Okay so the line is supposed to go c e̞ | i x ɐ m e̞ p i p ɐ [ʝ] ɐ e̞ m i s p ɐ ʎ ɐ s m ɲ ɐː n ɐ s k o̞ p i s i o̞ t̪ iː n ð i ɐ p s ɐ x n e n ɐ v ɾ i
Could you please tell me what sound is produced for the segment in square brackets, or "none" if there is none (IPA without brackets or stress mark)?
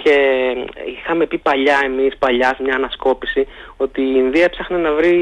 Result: ʎ